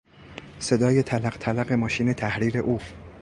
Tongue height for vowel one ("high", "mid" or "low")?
mid